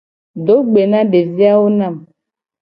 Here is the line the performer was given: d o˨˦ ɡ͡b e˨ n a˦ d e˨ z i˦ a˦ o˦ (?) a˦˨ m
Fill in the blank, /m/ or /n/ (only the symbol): n